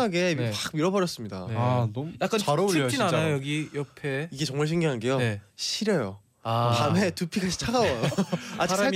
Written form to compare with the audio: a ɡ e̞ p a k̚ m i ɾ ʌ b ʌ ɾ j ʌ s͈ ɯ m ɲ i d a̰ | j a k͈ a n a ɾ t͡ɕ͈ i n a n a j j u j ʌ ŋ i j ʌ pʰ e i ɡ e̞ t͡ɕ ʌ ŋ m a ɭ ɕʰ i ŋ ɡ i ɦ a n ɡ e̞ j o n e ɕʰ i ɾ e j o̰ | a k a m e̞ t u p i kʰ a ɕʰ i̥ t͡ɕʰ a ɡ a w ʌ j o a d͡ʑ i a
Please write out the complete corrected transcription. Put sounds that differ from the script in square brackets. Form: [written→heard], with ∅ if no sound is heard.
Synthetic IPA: a ɡ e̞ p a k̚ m i ɾ ʌ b ʌ ɾ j ʌ s͈ ɯ m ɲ i d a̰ | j a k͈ a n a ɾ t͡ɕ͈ i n a n a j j [u→o] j ʌ [ŋ→ɡ] i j ʌ pʰ e i ɡ e̞ t͡ɕ ʌ ŋ m a ɭ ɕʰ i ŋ ɡ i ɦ a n ɡ e̞ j o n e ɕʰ i ɾ e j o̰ | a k a m e̞ t u [p→pʰ] i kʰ a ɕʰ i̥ t͡ɕʰ a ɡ a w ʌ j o a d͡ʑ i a